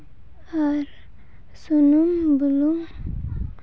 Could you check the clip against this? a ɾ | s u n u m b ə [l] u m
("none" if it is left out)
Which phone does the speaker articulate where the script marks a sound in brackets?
l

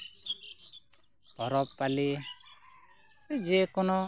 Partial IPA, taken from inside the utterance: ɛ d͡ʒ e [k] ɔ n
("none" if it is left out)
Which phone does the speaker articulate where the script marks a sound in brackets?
k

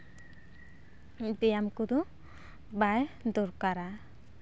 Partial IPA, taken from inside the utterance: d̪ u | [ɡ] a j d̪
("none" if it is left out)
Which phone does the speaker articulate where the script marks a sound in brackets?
b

